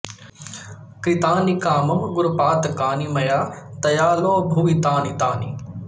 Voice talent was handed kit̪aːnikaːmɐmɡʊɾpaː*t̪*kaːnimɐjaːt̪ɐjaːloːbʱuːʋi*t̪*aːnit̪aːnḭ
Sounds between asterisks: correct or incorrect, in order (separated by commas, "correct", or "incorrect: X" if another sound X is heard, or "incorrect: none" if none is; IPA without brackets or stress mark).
correct, correct